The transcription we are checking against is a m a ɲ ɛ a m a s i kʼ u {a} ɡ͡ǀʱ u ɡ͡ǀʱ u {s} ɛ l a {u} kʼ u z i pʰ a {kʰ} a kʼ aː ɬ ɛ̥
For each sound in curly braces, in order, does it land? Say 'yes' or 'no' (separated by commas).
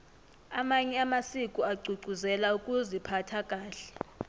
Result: yes, no, yes, no